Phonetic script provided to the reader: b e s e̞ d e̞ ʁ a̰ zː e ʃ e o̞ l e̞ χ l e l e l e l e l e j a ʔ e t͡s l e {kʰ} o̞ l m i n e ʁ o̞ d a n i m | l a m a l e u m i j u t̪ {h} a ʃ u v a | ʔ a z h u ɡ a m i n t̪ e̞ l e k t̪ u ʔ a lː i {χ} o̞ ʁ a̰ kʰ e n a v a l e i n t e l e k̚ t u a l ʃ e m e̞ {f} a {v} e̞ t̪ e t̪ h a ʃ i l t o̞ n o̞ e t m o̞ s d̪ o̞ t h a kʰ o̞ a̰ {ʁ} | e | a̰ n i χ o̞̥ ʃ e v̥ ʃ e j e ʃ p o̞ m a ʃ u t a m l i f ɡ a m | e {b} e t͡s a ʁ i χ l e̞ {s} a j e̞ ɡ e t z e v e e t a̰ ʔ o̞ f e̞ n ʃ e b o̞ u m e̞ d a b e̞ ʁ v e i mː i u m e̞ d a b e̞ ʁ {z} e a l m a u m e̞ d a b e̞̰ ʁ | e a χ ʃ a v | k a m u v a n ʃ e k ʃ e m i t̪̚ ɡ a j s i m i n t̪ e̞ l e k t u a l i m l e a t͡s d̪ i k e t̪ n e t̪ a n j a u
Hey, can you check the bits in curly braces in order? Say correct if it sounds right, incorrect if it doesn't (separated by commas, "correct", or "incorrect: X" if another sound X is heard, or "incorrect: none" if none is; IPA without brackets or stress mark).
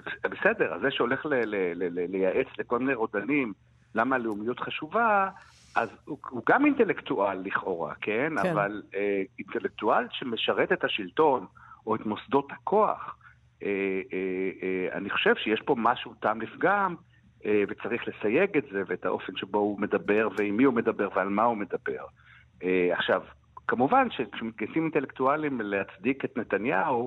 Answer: incorrect: k, incorrect: χ, correct, incorrect: ʃ, incorrect: ʁ, incorrect: χ, incorrect: v, correct, incorrect: v